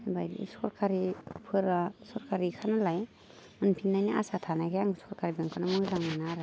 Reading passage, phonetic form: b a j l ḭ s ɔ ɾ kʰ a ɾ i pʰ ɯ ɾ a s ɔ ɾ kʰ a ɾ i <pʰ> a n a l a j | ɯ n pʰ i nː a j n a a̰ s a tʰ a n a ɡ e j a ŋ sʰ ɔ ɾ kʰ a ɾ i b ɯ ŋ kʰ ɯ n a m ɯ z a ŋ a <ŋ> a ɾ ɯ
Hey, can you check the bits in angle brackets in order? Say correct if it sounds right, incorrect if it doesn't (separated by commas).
incorrect, incorrect